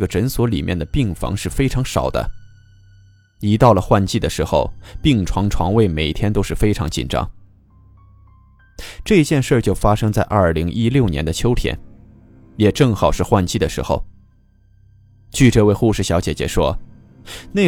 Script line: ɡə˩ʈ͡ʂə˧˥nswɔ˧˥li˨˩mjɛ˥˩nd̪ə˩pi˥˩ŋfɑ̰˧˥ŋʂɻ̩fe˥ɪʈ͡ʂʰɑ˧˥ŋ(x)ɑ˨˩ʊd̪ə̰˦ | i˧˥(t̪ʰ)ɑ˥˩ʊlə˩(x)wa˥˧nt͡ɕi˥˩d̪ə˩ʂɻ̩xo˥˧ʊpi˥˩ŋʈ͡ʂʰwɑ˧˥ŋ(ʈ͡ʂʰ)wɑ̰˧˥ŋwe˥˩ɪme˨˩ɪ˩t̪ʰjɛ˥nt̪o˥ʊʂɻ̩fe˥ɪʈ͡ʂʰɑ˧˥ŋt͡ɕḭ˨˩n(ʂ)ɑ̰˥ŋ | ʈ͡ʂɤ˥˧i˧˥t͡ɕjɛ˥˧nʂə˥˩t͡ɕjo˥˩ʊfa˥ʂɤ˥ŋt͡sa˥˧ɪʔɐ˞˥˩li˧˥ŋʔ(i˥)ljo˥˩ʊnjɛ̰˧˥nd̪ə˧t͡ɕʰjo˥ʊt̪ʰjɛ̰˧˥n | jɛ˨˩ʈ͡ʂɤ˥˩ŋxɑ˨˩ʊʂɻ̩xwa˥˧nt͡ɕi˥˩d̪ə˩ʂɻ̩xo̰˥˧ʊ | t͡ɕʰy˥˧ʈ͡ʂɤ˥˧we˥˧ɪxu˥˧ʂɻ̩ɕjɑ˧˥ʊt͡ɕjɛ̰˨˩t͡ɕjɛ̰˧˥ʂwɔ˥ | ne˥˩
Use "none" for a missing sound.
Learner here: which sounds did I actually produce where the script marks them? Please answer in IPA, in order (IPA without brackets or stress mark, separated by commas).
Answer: ʂ, t̪, x, ʈ͡ʂʰ, ʈ͡ʂ, i˥